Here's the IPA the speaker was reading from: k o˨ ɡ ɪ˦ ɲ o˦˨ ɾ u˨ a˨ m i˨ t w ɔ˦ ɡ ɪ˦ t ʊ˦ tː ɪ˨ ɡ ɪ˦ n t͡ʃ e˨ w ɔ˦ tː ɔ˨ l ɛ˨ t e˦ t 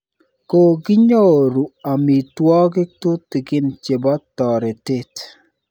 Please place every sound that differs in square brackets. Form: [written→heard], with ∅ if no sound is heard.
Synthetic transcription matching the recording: k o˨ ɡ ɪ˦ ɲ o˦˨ ɾ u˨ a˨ m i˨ t w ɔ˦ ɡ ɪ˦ t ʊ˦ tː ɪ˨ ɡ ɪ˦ n t͡ʃ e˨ [w→b] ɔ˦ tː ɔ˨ [l→ɾ] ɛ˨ t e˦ t